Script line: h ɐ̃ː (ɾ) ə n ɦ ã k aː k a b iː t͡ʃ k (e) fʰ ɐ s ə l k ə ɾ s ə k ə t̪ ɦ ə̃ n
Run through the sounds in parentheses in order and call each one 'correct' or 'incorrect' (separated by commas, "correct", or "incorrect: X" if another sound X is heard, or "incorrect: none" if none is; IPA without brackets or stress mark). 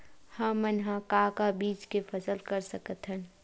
incorrect: none, correct